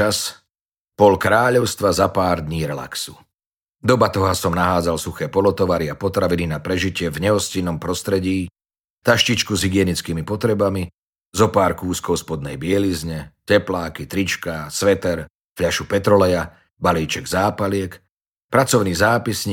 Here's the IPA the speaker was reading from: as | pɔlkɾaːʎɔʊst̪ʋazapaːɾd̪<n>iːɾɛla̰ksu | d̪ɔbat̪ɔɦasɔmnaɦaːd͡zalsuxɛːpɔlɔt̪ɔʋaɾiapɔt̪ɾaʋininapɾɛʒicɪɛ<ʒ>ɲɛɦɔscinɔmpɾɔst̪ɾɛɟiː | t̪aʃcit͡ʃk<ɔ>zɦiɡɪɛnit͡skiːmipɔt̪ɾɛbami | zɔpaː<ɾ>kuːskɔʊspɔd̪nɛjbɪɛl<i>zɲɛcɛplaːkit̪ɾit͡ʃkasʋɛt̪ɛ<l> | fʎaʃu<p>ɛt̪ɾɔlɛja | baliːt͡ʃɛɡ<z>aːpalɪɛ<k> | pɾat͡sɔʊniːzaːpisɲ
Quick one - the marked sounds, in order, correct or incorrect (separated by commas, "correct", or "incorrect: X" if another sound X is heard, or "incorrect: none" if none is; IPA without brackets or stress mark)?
incorrect: ɲ, incorrect: v, incorrect: u, correct, correct, incorrect: ɾ, correct, correct, correct